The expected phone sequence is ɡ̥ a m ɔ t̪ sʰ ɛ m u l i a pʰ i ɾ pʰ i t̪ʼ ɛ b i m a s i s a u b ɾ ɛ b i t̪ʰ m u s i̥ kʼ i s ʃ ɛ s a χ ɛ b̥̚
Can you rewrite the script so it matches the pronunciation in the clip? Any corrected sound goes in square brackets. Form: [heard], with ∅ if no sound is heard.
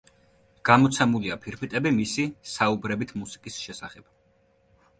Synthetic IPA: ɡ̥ a m ɔ t̪ sʰ ɛ m u l i a pʰ i ɾ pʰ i t̪ʼ ɛ b i m [i] s i s a u b ɾ ɛ b i t̪ʰ m u s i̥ kʼ i s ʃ ɛ s a χ ɛ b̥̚